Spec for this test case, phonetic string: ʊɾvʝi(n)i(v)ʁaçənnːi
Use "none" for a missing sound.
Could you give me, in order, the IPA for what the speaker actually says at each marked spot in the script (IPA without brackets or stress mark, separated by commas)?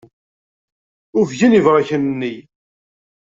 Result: n, v